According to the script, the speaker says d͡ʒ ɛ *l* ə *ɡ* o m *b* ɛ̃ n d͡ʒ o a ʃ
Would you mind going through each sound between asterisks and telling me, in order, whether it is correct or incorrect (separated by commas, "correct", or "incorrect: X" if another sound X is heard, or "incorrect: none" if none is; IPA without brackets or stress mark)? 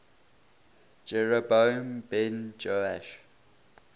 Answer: incorrect: ɹ, incorrect: b, correct